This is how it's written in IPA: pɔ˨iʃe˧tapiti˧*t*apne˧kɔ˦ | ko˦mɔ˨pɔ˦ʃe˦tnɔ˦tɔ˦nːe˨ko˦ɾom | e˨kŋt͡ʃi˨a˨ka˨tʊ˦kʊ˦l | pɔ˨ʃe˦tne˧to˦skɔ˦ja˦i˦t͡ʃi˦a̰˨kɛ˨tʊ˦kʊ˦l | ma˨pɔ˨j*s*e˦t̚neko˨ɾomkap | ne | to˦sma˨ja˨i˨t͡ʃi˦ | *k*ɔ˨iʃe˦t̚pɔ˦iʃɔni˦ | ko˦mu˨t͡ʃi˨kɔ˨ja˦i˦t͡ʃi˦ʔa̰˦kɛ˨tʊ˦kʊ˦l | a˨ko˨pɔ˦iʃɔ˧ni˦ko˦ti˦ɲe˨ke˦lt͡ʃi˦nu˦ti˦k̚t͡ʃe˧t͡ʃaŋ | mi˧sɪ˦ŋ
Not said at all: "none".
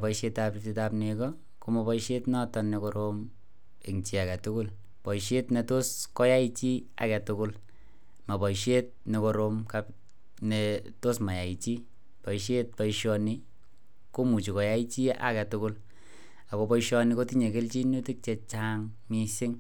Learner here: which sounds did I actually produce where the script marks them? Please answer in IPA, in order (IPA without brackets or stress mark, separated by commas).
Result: t, ʃ, p